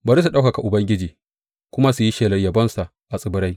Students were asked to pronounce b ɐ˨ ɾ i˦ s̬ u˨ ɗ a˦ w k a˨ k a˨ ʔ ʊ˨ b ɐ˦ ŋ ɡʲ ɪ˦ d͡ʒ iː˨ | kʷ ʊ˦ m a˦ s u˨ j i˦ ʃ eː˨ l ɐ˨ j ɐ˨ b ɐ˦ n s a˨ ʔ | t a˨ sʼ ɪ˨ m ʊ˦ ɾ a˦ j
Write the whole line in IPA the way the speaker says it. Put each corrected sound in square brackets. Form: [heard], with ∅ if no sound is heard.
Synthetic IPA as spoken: b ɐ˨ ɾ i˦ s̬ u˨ ɗ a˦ w k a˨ k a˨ ʔ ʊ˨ b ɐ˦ ŋ ɡʲ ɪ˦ d͡ʒ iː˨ | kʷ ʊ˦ m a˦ s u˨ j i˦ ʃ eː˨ l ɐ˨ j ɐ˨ b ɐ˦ n s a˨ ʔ | [ʔ] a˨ sʼ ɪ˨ [b] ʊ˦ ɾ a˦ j